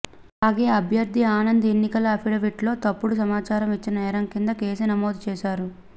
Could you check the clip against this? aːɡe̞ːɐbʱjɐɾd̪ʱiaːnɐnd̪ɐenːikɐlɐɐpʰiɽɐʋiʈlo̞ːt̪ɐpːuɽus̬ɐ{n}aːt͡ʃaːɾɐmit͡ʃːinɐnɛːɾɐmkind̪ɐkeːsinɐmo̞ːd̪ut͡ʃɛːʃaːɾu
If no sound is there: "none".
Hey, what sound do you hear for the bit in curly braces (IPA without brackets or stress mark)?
m